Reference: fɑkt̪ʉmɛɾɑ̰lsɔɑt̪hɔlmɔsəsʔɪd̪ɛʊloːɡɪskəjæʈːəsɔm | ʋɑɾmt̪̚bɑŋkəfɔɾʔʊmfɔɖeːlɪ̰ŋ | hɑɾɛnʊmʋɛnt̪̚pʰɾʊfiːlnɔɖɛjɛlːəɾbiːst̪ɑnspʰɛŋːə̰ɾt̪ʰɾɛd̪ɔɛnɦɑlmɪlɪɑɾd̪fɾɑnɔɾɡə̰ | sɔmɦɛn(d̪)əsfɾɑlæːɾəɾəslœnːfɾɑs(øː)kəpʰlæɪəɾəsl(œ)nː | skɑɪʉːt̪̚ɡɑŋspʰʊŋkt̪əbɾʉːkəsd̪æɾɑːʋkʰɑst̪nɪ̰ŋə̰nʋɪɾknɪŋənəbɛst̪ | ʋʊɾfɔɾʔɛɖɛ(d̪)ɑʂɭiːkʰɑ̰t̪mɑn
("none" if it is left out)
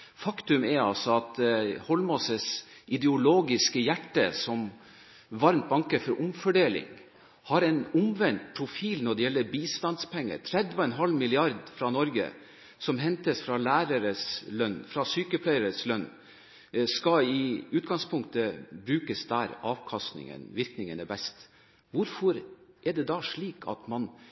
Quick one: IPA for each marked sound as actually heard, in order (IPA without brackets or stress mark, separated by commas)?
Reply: t̪, yː, œ, d̪